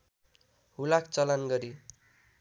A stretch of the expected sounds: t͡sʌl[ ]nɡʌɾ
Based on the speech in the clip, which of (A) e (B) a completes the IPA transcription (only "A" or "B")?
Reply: B